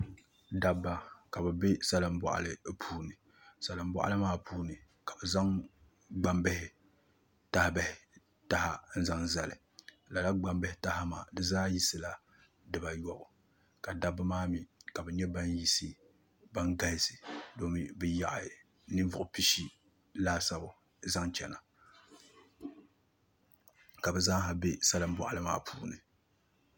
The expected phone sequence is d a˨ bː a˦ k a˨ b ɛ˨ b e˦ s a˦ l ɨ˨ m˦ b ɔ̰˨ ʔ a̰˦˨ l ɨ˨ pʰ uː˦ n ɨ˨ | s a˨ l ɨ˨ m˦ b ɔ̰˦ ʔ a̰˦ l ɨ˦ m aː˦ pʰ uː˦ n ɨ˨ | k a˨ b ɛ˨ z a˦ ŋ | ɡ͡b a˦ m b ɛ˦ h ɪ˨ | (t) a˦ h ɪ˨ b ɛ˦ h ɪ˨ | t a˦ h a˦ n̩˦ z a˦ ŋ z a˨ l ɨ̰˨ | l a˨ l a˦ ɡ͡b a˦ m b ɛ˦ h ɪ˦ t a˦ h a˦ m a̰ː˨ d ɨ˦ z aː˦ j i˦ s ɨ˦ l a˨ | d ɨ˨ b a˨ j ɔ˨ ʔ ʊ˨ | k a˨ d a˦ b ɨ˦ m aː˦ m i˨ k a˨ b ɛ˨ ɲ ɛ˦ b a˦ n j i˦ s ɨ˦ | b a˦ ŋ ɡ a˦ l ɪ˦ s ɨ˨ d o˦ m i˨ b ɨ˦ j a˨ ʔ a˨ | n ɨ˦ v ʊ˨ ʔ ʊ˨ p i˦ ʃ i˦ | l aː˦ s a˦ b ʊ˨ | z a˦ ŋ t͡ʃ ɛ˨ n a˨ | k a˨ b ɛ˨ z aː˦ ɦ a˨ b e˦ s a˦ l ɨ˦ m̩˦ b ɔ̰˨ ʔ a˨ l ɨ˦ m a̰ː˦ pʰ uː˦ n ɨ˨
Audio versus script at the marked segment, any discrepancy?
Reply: no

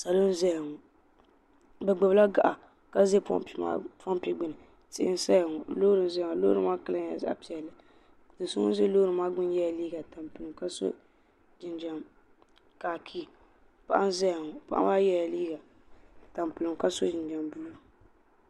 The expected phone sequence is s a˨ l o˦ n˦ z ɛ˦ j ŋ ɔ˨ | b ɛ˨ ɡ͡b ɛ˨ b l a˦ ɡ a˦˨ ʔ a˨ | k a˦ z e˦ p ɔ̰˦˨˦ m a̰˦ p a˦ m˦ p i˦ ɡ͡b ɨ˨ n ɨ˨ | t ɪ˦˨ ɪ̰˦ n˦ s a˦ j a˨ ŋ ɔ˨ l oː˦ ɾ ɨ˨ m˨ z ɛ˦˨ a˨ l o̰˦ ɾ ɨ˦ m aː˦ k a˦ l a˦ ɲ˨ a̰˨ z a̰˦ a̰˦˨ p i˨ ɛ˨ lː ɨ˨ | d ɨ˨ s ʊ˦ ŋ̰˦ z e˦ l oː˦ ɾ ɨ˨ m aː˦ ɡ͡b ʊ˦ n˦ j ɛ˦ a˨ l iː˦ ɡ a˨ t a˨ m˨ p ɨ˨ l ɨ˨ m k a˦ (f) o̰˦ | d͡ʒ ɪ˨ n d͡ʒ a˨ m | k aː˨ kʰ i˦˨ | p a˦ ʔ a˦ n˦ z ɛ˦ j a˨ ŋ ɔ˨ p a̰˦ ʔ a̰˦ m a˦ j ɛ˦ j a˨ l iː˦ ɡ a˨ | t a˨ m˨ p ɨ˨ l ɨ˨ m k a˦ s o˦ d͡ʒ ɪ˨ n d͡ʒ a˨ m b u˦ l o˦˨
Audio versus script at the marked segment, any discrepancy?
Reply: yes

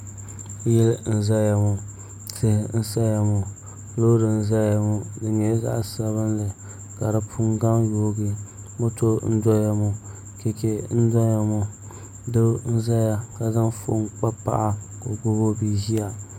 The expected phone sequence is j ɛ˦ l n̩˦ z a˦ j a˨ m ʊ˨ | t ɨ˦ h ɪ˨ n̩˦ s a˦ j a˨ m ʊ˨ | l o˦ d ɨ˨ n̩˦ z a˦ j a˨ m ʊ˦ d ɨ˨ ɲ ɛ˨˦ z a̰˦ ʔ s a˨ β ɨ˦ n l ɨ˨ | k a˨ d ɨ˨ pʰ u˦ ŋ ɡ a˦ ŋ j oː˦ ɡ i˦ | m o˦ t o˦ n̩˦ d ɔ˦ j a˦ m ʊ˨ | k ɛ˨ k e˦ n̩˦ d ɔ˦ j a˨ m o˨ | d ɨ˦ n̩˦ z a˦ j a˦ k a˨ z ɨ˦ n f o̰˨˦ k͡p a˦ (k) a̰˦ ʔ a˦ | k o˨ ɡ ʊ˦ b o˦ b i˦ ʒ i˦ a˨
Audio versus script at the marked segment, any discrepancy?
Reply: yes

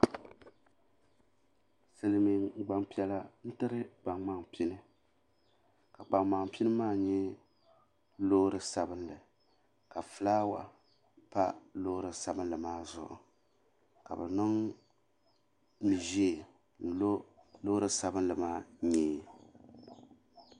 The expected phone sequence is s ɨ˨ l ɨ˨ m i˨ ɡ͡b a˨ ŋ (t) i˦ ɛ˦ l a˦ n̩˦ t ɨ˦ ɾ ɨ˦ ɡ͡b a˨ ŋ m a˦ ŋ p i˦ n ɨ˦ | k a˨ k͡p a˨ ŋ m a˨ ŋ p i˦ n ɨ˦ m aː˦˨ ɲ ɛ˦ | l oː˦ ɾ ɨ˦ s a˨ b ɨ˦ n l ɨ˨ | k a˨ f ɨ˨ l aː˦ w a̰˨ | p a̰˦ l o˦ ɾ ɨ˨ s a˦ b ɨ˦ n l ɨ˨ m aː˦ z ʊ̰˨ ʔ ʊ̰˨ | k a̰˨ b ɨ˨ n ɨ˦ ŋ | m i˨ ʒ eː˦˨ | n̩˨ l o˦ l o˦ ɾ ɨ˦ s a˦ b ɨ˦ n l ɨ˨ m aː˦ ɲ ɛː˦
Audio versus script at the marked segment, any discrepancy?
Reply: yes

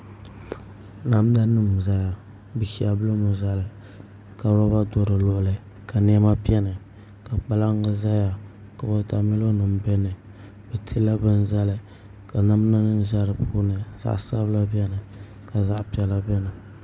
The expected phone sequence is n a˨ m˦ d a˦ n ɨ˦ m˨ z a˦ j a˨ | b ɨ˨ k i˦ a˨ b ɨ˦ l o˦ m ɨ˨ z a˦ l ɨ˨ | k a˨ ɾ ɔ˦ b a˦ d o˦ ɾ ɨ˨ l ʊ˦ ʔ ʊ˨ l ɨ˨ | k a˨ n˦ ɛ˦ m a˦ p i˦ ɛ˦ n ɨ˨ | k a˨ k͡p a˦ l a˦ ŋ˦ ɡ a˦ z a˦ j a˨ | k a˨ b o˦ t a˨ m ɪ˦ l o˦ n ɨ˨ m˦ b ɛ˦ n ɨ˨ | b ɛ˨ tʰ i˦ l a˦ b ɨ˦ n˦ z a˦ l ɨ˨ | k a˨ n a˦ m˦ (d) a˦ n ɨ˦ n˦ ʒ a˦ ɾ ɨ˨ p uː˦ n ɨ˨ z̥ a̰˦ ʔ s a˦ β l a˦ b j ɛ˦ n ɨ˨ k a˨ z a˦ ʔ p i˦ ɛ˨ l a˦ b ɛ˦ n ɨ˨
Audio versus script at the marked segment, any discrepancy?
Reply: yes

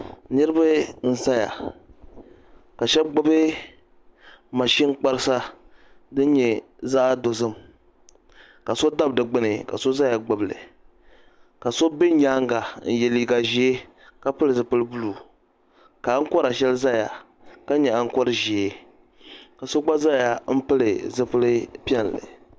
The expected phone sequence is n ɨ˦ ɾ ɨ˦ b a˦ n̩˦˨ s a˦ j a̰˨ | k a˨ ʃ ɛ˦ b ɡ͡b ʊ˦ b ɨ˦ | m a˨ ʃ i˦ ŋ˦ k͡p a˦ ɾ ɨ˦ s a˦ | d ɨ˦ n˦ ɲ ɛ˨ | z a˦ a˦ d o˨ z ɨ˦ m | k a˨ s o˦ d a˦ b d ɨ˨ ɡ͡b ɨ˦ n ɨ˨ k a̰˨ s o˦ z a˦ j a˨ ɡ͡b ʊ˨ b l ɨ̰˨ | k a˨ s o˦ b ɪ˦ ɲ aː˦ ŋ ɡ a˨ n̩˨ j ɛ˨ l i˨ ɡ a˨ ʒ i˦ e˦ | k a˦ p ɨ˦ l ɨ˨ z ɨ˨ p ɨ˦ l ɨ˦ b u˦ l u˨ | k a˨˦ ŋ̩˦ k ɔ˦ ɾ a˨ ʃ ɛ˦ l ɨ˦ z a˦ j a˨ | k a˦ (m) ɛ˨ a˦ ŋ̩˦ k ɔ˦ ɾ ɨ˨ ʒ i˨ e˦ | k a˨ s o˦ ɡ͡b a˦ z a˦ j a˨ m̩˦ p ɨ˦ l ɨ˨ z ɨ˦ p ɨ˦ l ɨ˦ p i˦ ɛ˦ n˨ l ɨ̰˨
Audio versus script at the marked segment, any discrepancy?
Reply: yes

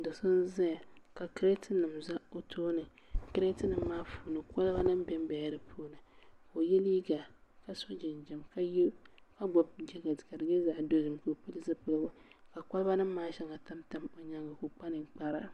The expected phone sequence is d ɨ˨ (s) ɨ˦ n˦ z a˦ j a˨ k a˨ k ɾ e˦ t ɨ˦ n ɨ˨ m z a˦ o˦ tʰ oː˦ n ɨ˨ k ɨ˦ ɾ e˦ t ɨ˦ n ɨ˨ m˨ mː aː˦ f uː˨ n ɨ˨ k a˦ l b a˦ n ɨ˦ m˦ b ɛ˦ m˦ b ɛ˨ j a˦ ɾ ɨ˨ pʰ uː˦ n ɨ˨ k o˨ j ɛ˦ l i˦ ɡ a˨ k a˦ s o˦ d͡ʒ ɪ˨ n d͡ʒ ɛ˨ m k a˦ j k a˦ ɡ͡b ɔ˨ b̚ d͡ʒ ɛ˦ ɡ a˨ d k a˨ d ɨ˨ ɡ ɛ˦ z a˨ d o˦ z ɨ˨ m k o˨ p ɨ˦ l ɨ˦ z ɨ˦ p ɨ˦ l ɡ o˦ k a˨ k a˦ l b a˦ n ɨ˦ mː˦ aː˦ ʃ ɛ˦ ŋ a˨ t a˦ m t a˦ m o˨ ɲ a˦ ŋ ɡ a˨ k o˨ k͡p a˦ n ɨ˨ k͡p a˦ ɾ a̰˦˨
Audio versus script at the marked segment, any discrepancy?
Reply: no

